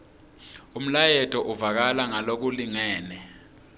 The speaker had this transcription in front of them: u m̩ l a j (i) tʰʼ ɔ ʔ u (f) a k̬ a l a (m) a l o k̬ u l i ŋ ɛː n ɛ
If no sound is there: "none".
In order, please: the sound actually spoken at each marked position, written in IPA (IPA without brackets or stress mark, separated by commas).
ɛ, v, ŋ